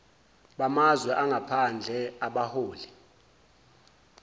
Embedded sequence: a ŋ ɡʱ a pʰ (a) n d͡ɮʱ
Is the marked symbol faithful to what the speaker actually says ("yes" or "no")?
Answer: yes